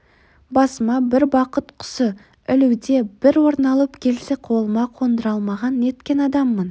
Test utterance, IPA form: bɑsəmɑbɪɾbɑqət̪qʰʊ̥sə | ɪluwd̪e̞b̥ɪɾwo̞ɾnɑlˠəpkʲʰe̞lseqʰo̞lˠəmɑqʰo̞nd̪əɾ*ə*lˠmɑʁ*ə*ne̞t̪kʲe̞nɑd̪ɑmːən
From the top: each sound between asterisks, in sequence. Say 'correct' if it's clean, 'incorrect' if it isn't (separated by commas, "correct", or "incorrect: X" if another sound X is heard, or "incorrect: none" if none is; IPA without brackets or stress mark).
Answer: incorrect: ɑ, incorrect: ɑ